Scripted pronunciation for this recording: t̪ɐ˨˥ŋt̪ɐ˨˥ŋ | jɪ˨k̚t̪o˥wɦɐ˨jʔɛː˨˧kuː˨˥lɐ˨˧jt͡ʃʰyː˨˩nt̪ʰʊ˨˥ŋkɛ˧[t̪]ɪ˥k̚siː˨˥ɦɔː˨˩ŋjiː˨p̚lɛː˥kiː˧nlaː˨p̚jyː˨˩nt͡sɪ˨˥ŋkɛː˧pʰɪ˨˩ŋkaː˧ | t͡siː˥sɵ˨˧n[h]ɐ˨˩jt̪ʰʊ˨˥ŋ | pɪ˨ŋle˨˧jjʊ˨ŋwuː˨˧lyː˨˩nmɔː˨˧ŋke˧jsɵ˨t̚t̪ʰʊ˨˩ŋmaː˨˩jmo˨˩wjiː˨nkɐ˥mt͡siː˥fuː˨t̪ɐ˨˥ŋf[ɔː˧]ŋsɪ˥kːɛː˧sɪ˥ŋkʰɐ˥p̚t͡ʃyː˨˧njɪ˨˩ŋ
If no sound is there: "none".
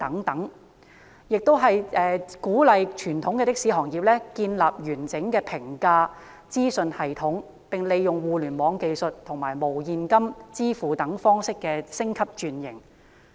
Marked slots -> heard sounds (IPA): t̪, h, ɔː˥

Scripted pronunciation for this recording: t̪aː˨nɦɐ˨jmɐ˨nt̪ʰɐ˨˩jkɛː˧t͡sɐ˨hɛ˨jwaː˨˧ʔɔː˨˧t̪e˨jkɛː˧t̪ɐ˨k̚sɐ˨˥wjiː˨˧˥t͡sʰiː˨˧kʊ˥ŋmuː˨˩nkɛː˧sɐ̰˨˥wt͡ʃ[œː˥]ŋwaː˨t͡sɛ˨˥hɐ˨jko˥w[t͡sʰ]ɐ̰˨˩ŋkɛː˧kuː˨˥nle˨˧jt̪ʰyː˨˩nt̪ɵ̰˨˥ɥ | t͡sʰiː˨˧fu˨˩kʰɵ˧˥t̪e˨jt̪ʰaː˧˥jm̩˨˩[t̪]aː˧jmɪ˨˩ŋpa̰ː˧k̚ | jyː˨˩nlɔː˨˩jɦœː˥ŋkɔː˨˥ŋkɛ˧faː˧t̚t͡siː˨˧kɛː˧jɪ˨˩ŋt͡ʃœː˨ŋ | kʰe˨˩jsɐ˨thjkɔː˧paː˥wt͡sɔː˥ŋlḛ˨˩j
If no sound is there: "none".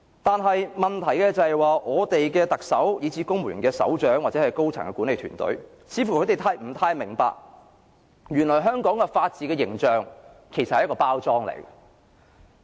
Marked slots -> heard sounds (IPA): œː˨˥, t͡sʰ, t̪ʰ

